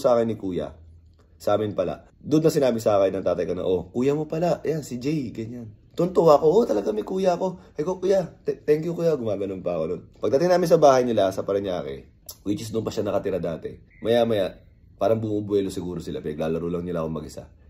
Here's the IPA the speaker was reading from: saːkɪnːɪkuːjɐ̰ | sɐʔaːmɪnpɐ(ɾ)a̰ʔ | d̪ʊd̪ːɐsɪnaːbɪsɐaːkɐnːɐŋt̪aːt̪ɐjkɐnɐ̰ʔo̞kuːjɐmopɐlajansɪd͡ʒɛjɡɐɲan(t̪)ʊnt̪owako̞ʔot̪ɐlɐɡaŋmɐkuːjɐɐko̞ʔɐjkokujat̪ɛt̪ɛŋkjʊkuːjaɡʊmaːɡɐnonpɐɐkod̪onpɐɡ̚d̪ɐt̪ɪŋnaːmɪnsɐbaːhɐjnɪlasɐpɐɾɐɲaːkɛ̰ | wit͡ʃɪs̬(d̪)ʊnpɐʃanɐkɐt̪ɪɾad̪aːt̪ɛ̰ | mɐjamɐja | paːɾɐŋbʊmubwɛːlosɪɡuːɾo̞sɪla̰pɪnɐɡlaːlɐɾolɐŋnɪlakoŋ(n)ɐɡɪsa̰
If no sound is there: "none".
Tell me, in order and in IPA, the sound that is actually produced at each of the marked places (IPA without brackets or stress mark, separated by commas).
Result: l, t̪, d̪, m